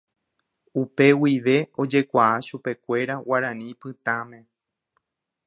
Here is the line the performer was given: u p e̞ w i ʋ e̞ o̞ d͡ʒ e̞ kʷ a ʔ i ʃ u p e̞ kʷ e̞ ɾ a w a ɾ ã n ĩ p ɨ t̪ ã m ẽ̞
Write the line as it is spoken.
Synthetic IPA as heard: u p e̞ w i ʋ e̞ o̞ d͡ʒ e̞ kʷ a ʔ a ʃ u p e̞ kʷ e̞ ɾ a w a ɾ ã n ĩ p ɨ t̪ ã m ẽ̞